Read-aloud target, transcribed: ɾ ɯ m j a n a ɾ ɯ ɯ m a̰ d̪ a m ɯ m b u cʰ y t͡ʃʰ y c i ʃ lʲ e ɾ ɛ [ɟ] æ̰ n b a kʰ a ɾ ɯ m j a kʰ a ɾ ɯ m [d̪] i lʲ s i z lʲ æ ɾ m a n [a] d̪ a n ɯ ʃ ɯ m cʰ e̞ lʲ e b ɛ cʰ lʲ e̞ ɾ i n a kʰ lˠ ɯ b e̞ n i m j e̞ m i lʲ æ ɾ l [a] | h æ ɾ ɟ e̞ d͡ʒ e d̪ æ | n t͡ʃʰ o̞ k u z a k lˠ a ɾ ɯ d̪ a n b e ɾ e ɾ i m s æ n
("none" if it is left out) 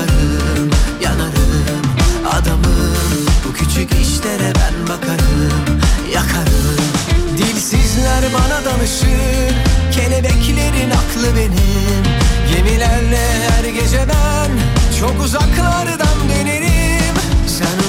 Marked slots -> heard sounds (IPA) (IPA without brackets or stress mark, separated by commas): b, d̪, a, ɛ